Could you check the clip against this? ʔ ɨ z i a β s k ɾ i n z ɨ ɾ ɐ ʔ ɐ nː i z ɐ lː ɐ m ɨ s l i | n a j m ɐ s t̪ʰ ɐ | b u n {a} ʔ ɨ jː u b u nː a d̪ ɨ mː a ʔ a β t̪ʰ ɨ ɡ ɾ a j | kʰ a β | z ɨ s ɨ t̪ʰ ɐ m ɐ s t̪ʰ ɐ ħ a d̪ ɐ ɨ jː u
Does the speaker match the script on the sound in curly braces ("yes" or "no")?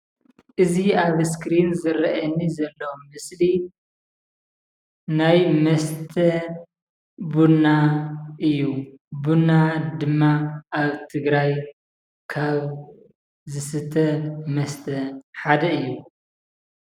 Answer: yes